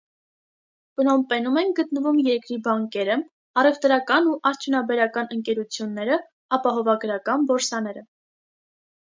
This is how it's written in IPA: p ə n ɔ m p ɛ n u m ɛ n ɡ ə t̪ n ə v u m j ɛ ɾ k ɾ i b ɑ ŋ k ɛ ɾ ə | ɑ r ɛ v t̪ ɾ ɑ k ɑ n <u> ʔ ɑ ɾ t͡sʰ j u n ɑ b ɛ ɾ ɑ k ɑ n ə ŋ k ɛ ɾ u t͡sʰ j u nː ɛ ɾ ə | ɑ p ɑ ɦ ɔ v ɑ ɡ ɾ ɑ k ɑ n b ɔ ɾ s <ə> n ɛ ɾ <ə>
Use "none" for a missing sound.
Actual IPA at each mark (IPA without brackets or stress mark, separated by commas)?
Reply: u, ɑ, ə